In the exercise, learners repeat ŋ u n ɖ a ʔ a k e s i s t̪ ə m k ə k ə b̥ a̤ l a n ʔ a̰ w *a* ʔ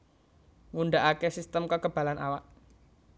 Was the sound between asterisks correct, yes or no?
yes